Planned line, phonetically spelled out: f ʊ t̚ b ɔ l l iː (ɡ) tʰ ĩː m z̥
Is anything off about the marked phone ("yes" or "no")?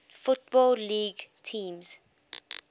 no